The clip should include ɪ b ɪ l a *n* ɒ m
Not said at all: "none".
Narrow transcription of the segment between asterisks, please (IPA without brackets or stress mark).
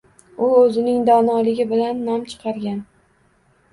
nː